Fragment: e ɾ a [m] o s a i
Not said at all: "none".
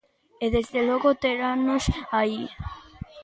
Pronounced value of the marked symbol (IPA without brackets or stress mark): n